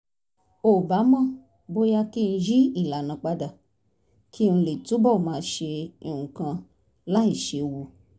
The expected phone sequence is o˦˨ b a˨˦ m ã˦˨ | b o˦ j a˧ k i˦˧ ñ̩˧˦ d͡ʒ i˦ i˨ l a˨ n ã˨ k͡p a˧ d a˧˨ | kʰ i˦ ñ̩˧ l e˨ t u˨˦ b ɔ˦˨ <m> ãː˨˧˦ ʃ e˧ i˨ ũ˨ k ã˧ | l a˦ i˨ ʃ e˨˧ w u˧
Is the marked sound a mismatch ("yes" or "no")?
no